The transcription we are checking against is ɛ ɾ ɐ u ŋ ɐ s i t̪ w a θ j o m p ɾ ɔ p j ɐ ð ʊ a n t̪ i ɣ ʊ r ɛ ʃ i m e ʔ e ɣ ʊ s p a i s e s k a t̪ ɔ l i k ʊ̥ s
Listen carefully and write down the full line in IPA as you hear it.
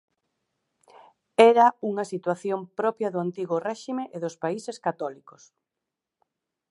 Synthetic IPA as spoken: ɛ ɾ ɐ u ŋ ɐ s i t̪ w a θ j o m p ɾ ɔ p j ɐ ð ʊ a n t̪ i ɣ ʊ r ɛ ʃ i m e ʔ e ð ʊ s p a i s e s k a t̪ ɔ l i k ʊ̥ s